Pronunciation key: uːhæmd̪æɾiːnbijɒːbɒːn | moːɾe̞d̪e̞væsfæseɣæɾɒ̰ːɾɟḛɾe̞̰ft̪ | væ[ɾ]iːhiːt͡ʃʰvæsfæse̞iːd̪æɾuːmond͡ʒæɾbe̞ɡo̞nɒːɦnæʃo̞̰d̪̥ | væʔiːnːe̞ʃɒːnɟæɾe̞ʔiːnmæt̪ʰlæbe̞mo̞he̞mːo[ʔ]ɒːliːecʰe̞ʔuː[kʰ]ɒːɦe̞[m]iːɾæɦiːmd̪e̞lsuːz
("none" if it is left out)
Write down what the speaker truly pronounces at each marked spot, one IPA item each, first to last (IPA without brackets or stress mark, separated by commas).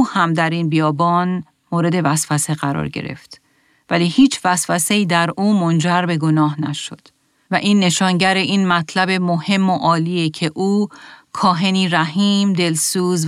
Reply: l, ʔ, kʰ, n